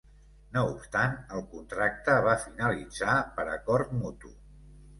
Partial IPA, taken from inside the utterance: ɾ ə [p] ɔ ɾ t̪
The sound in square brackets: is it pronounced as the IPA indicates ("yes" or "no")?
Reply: no